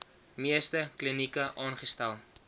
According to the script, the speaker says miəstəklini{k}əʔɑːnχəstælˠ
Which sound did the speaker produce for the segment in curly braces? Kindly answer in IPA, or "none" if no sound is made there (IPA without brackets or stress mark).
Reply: k